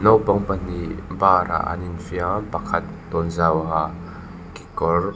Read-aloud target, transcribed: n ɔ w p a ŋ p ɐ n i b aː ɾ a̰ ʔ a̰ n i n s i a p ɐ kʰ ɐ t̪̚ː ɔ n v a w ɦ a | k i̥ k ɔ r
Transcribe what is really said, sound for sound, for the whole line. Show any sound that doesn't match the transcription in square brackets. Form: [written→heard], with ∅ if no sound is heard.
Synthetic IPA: n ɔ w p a ŋ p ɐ n i b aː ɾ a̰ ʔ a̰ n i n [s→f] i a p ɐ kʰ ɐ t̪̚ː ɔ n [v→z] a w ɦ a | k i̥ k ɔ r